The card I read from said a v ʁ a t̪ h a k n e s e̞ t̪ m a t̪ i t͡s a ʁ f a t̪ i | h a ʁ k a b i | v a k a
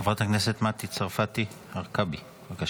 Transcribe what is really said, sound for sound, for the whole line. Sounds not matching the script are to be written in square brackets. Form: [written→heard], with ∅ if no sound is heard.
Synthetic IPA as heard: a v ʁ a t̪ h a k n e s e̞ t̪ m a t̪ i t͡s a ʁ f a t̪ i | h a ʁ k a b i | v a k a